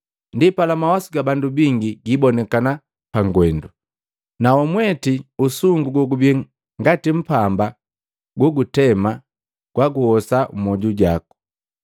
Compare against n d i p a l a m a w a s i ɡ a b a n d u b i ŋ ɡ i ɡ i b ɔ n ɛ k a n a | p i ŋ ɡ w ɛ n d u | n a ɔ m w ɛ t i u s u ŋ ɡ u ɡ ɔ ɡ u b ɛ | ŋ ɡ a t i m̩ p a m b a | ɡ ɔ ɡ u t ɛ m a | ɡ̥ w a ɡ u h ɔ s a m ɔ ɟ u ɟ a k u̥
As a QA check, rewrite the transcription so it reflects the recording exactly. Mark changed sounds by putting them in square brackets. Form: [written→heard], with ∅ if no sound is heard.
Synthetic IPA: n d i p a l a m a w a s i ɡ a b a n d u b i ŋ ɡ i ɡ i b ɔ n ɛ k a n a | p [i→a] ŋ ɡ w ɛ n d u | n a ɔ m w ɛ t i u s u ŋ ɡ u ɡ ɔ ɡ u b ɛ | ŋ ɡ a t i m̩ p a m b a | ɡ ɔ ɡ u t ɛ m a | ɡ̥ w a ɡ u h ɔ s a m ɔ ɟ u ɟ a k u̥